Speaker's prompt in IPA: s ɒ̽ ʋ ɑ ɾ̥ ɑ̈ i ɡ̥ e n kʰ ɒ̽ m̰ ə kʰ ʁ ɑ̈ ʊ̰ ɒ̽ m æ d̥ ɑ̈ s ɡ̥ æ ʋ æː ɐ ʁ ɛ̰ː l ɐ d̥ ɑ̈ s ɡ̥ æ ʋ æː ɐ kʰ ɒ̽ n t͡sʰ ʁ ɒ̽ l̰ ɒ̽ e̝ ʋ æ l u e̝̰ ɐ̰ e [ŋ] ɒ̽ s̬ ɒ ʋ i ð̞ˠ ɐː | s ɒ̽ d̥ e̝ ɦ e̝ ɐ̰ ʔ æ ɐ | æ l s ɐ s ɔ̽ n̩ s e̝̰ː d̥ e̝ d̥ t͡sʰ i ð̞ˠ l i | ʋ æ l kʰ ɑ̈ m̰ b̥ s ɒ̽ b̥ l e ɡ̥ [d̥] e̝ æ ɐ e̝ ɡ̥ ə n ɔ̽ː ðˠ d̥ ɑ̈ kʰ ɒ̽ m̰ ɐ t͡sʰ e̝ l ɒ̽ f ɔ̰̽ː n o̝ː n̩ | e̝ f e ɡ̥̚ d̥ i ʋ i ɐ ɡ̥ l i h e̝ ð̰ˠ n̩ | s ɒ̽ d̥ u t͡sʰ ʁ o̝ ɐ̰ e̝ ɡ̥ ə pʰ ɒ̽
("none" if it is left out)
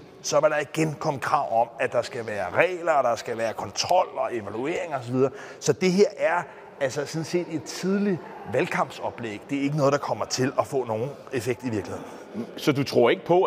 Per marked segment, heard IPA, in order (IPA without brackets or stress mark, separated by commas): ŋ, d̥